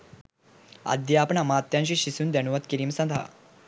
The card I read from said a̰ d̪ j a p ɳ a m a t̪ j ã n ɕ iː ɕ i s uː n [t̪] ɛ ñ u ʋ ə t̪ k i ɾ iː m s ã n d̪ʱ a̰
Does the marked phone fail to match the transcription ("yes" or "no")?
yes